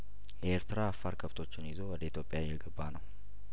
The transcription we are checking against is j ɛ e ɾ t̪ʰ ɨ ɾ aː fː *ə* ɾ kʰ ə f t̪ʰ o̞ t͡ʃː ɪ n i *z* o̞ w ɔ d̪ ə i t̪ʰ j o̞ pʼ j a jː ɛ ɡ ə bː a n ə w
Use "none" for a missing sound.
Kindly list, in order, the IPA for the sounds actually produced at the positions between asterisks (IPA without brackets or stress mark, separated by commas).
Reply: a, z